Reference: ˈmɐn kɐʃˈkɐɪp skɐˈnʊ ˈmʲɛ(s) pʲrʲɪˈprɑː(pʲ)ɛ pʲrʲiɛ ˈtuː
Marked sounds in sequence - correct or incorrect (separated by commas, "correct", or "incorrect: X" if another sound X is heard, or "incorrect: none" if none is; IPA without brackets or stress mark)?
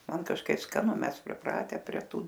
correct, incorrect: tʲ